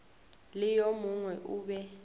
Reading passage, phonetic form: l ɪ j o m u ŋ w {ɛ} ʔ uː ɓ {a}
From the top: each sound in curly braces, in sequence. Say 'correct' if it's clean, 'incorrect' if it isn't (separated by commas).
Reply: correct, incorrect